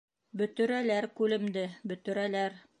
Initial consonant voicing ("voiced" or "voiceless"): voiced